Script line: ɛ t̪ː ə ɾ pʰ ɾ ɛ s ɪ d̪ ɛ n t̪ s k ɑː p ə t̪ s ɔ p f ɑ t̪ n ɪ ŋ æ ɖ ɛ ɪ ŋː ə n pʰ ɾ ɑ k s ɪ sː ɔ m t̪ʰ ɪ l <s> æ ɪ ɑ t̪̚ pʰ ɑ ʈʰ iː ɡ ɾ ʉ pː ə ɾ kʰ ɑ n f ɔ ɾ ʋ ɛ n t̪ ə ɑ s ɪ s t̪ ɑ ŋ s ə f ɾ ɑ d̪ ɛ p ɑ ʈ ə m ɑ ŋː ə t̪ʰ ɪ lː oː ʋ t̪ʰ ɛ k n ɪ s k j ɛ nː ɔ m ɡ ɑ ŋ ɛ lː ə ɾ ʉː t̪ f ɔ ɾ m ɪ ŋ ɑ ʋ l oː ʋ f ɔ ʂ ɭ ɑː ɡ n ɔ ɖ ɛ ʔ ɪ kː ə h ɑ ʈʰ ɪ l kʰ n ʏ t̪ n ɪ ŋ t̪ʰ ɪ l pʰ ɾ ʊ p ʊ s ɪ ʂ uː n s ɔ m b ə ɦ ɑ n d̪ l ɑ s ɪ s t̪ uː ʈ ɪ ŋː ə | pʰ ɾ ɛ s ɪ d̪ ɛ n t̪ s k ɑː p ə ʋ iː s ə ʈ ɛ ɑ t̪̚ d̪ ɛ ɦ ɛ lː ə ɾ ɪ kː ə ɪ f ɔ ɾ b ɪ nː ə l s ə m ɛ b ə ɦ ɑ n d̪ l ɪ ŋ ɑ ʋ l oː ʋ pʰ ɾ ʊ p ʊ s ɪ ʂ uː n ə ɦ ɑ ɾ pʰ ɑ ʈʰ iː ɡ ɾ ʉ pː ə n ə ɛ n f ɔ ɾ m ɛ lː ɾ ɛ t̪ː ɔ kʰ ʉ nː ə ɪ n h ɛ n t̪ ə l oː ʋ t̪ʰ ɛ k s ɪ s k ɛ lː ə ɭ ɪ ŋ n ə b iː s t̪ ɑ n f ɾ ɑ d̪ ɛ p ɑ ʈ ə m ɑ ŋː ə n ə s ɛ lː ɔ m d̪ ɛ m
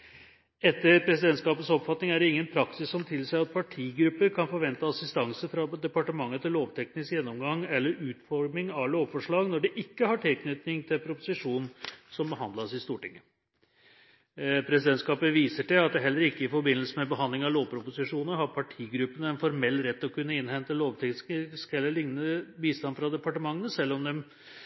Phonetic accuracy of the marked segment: correct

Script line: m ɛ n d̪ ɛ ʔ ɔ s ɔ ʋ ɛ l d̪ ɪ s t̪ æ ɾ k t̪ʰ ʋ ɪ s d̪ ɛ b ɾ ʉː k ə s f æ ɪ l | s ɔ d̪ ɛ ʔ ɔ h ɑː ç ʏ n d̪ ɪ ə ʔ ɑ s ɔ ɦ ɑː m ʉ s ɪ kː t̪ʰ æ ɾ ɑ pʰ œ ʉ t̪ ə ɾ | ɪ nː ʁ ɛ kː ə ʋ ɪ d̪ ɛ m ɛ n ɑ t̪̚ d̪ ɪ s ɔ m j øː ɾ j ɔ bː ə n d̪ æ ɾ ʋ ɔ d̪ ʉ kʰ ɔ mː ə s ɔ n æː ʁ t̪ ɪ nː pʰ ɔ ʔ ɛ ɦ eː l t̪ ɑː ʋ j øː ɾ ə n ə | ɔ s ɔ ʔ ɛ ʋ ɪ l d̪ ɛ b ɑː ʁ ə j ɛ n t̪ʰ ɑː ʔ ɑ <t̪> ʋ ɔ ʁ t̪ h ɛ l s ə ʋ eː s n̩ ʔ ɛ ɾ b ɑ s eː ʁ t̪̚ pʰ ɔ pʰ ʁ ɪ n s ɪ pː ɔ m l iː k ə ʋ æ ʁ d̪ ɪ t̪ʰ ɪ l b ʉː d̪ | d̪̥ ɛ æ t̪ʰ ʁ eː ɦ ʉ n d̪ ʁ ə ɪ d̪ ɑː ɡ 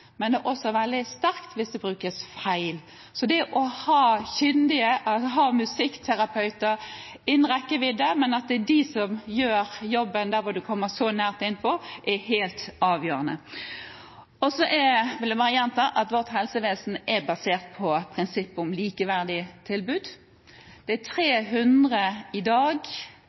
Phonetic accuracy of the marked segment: correct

